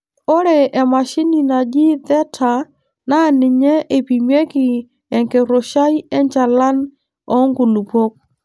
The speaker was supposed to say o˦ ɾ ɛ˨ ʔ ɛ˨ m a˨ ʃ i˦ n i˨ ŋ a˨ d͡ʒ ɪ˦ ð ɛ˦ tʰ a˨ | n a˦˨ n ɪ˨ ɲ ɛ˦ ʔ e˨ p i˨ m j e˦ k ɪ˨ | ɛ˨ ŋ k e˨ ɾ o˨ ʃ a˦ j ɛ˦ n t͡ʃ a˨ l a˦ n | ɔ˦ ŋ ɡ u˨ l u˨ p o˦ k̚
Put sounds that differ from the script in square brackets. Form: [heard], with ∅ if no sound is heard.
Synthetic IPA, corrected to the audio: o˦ ɾ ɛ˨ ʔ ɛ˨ m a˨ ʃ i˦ n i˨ [n] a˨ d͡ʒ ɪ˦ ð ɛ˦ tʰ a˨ | n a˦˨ n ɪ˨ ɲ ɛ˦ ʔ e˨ p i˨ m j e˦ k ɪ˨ | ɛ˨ ŋ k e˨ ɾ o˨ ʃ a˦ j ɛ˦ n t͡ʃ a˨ l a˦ n | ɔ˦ ŋ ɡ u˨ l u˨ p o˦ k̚